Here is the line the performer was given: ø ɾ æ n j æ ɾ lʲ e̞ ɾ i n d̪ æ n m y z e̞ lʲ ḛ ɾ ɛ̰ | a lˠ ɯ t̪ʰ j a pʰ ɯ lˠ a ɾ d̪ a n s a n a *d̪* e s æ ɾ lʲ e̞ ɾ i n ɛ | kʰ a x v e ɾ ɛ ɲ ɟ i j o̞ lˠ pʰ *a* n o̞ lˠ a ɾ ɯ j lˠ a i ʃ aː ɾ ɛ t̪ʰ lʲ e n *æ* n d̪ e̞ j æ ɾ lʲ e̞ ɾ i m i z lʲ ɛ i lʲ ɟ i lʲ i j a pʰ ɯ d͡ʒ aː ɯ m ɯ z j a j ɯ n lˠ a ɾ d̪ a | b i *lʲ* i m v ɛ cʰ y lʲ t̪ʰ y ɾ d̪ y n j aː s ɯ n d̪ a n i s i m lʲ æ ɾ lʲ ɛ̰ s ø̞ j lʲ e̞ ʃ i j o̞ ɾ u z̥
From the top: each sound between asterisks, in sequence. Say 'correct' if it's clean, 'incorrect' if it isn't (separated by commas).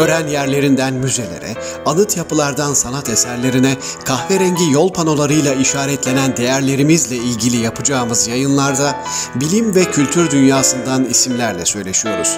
incorrect, correct, correct, correct